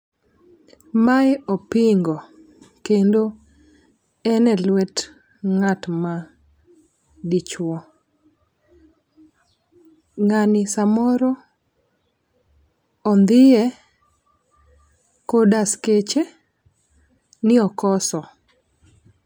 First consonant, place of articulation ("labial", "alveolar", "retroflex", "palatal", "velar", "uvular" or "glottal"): labial